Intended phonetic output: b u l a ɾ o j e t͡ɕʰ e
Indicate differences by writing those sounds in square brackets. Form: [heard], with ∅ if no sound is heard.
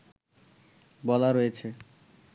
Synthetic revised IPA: b [ɔ] l a ɾ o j e t͡ɕʰ e

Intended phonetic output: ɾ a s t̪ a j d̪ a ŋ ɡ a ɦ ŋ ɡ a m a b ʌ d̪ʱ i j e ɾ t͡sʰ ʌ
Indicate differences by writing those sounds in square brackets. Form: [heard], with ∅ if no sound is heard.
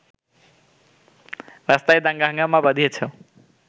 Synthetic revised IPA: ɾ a s t̪ a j d̪ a ŋ ɡ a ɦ ŋ ɡ a m a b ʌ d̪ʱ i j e [∅] t͡sʰ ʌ

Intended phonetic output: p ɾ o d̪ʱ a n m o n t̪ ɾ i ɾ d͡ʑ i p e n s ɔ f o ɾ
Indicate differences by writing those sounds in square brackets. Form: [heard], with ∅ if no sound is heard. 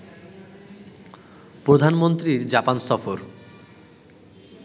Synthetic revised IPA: p ɾ o d̪ʱ a n m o n t̪ ɾ i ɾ d͡ʑ [a] p [a] n s ɔ f o ɾ

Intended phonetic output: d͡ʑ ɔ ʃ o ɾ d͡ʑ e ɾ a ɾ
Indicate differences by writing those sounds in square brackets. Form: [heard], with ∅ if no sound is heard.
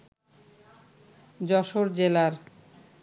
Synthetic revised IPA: d͡ʑ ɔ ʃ o ɾ d͡ʑ e [l] a ɾ

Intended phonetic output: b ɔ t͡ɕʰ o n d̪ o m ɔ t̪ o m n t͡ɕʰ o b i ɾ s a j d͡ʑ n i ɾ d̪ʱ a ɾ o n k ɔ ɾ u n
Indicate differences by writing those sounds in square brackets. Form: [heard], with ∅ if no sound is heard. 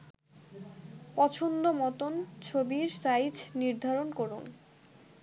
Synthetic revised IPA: [p] ɔ t͡ɕʰ o n d̪ o m ɔ t̪ o [∅] n t͡ɕʰ o b i ɾ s a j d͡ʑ n i ɾ d̪ʱ a ɾ o n k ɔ ɾ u n

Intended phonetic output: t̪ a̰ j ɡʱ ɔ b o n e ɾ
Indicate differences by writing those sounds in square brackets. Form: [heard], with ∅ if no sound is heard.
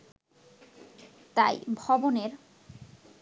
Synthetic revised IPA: t̪ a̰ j [bʱ] ɔ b o n e ɾ

